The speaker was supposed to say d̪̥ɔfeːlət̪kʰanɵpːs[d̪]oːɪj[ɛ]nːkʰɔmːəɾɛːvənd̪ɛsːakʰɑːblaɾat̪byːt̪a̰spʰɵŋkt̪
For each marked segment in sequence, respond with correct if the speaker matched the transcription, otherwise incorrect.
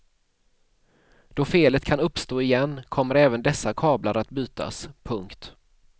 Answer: incorrect: t̪, correct

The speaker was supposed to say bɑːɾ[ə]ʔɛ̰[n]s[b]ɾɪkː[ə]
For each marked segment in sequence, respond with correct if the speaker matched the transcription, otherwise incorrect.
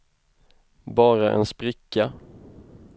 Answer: incorrect: a, correct, incorrect: p, incorrect: a

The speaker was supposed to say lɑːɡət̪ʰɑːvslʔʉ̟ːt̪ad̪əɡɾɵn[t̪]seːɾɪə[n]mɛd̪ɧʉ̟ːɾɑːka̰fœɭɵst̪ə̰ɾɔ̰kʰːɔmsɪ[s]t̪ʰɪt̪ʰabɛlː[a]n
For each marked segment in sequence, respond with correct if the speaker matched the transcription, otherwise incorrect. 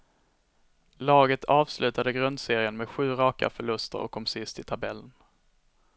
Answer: incorrect: d̪, correct, correct, incorrect: ə

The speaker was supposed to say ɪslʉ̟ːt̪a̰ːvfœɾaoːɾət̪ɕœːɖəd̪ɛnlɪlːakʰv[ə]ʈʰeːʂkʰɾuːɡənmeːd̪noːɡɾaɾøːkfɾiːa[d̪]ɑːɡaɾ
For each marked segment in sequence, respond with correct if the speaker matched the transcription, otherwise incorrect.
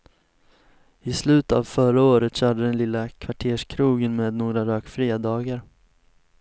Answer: incorrect: a, correct

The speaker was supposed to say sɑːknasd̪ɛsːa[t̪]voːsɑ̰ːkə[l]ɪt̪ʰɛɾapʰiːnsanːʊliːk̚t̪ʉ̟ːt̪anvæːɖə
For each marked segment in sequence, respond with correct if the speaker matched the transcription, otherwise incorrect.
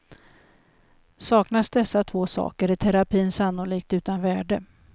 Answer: incorrect: t̪ʰ, incorrect: ɾ

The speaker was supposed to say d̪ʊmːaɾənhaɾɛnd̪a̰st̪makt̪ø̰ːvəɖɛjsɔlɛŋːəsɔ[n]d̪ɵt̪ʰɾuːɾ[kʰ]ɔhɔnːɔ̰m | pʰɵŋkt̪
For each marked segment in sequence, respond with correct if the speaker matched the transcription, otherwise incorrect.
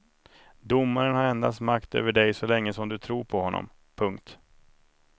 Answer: incorrect: m, incorrect: pʰ

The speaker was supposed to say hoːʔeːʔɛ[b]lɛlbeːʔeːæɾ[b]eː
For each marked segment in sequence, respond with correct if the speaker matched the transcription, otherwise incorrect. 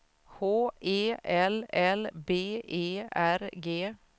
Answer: incorrect: none, incorrect: ɡ

